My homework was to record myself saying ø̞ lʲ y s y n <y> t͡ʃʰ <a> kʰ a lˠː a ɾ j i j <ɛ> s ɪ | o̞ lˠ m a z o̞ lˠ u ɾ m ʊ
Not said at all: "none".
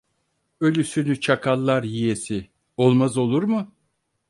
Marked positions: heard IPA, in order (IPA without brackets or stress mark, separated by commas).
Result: y, a, e